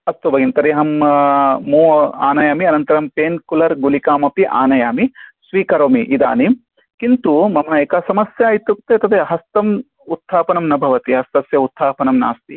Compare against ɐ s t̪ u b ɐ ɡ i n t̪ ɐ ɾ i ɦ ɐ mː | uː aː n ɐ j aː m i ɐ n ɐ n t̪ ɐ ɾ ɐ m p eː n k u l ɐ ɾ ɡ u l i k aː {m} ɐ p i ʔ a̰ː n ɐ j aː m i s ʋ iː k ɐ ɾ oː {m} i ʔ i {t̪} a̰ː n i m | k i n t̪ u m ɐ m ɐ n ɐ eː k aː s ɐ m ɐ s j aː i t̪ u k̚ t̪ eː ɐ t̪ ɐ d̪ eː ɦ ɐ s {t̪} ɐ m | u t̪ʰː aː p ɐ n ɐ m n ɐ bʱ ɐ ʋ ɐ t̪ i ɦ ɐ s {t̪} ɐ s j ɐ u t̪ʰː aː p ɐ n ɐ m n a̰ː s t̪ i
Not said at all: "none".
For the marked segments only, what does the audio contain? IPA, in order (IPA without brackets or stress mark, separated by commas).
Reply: m, m, d̪, t̪, t̪